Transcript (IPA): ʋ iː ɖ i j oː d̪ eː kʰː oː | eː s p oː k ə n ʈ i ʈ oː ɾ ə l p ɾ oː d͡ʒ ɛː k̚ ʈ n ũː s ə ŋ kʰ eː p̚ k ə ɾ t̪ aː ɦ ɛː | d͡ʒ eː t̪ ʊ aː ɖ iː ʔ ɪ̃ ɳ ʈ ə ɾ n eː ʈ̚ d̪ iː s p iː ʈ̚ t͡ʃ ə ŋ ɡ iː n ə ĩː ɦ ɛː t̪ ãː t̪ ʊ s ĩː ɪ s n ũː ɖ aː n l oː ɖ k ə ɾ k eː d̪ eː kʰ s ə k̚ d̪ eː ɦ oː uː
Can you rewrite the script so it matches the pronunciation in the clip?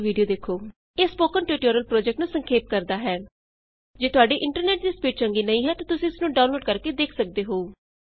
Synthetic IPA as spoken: ʋ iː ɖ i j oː d̪ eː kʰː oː | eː s p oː k ə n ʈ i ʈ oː ɾ ə l p ɾ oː d͡ʒ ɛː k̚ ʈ n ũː s ə ŋ kʰ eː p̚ k ə ɾ d̪ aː ɦ ɛː | d͡ʒ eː t̪ ʊ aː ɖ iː ʔ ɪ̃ ɳ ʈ ə ɾ n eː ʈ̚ d̪ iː s p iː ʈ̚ t͡ʃ ə ŋ ɡ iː n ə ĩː ɦ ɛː t̪ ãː t̪ ʊ s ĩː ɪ s n ũː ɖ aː n l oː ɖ k ə ɾ k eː d̪ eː kʰ s ə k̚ d̪ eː ɦ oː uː